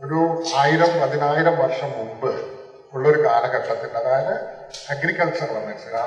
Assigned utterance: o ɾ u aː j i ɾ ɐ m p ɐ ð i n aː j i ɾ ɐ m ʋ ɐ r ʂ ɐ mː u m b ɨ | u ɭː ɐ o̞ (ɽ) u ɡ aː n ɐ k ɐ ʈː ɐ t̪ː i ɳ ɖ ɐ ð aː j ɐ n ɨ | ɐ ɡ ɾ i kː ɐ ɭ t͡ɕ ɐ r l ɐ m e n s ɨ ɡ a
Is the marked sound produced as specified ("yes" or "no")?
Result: no